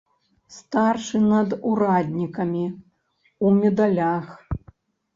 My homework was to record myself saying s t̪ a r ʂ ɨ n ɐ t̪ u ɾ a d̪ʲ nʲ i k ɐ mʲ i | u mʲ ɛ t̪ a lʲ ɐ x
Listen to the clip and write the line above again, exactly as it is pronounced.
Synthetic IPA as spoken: s t̪ a r ʂ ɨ n ɐ d̪ u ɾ a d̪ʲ nʲ i k ɐ mʲ i | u mʲ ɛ d̪ a lʲ a x